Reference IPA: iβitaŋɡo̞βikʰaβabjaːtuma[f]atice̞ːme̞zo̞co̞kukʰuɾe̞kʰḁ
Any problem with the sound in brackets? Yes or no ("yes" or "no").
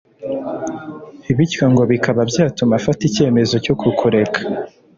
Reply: no